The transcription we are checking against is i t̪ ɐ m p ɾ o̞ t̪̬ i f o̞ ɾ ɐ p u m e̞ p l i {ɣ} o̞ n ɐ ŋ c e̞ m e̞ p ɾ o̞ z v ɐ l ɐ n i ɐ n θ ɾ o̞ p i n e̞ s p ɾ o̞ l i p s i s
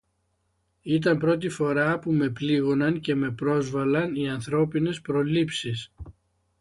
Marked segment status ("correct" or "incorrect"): correct